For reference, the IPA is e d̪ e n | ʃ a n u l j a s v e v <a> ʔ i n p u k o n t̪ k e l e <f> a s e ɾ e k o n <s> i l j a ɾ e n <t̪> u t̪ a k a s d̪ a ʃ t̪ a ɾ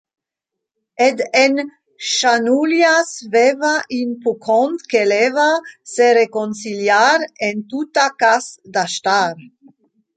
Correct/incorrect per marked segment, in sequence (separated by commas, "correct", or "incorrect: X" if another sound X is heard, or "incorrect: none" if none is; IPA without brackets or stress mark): correct, incorrect: v, correct, correct